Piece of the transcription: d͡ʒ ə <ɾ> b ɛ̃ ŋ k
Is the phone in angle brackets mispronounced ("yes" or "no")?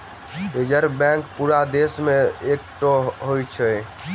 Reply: no